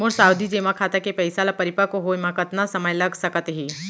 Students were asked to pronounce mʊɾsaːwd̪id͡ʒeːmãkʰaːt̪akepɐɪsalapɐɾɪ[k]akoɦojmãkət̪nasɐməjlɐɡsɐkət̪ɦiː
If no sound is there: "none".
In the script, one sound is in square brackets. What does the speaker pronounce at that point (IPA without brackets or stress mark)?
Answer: p